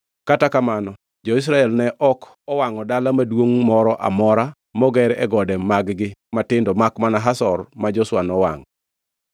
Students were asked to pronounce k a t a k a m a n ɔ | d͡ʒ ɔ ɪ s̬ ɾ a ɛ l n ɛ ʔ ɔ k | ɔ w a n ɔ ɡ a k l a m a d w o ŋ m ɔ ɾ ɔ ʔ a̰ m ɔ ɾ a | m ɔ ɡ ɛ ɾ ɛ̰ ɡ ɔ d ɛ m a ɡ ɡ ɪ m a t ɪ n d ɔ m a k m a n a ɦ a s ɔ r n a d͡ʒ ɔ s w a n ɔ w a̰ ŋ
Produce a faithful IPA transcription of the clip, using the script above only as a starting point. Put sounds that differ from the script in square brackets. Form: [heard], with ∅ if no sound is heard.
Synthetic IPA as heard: k a t a k a m a n ɔ | d͡ʒ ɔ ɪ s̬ ɾ a ɛ l n ɛ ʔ ɔ k | ɔ w a [ŋ] ɔ [d] a [∅] l a m a d w o ŋ m ɔ ɾ ɔ ʔ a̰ m ɔ ɾ a | m ɔ ɡ ɛ ɾ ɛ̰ ɡ ɔ d ɛ m a ɡ ɡ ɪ m a t ɪ n d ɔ m a k m a n a ɦ a s ɔ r [m] a d͡ʒ ɔ s w a n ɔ w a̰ ŋ